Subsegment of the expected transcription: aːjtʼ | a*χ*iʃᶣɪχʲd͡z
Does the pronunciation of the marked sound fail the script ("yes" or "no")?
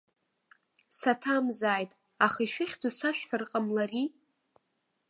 no